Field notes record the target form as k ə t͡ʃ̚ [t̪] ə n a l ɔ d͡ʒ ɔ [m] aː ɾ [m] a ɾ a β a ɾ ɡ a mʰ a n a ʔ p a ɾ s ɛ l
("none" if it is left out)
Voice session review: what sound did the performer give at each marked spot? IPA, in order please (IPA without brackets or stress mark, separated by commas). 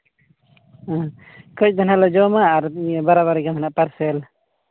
d̪, m, b